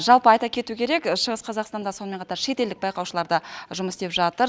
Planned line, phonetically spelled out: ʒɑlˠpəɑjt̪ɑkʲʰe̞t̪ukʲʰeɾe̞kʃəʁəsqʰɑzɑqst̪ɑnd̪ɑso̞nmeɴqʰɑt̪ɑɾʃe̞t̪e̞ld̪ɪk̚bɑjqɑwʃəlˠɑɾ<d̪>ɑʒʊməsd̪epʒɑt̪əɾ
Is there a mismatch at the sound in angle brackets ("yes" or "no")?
no